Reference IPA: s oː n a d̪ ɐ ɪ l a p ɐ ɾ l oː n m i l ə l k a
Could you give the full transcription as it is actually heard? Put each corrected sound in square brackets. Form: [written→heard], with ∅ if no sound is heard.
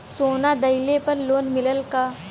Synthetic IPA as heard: s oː n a d̪ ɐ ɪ l [a→e] p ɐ ɾ l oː n m [i→ɪ] l ə l k a